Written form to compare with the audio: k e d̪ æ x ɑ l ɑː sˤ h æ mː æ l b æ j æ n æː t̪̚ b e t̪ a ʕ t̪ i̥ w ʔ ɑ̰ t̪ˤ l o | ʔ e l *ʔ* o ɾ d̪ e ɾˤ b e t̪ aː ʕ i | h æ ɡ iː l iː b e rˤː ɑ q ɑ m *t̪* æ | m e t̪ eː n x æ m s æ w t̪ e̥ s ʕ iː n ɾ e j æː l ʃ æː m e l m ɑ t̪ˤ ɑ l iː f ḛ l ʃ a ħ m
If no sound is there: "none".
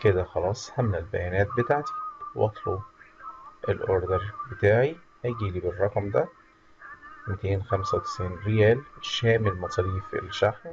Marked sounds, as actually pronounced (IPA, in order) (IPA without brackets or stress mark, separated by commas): ʔ, d̪